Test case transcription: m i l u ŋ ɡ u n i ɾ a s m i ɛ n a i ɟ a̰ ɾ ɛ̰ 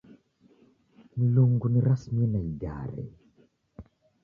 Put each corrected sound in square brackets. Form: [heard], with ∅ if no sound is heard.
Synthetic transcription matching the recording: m i l u ŋ ɡ u n i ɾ a s m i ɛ n a i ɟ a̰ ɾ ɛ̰